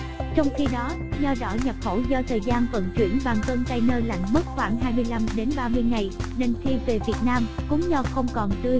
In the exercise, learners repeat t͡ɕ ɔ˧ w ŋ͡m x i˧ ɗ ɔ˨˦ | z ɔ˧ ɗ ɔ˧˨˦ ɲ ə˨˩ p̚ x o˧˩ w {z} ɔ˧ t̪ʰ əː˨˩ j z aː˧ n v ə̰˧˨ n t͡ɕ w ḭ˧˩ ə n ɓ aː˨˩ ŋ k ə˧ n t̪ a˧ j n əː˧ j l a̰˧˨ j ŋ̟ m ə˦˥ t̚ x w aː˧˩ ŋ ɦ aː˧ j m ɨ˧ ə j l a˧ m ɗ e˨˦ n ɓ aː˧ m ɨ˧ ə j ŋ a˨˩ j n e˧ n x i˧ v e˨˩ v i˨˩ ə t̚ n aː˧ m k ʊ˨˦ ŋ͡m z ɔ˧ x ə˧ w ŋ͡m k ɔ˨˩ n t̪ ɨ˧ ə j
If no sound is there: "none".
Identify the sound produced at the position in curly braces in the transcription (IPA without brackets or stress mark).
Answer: z